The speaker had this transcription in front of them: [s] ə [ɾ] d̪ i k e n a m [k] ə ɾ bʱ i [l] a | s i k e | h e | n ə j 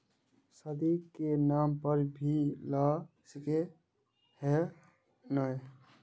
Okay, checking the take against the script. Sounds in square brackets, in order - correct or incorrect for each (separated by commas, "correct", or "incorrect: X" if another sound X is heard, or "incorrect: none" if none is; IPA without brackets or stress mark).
correct, incorrect: none, incorrect: p, correct